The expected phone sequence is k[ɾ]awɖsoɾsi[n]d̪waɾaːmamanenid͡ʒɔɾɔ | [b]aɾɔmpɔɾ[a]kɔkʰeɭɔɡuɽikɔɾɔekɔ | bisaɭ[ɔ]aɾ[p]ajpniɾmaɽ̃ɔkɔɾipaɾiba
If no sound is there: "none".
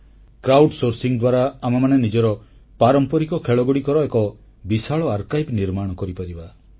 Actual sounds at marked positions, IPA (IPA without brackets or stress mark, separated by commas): ɾ, ŋ, p, i, ɔ, k